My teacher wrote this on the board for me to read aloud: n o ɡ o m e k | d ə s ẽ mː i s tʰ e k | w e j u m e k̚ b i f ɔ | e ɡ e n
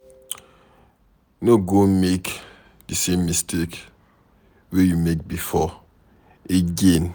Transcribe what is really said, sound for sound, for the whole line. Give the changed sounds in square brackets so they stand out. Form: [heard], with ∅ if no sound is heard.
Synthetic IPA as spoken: n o ɡ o m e k | d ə s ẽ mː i s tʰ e k | w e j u m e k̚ b i f ɔ | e ɡ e n